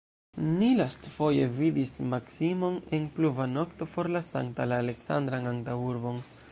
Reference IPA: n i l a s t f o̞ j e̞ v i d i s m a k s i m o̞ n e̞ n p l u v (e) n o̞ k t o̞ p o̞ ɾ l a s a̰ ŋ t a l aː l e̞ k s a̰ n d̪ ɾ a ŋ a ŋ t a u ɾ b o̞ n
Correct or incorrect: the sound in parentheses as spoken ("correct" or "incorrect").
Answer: incorrect